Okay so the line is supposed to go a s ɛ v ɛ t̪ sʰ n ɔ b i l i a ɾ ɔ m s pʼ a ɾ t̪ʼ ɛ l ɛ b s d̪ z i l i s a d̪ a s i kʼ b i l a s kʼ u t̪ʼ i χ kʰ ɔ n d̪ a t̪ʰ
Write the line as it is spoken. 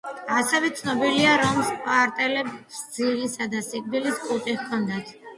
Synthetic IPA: a s ɛ v ɛ t̪ sʰ n ɔ b i l i a ɾ ɔ m s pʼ a ɾ t̪ʼ ɛ l ɛ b s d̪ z i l i s a d̪ a s i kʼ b i l i s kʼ u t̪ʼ i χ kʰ ɔ n d̪ a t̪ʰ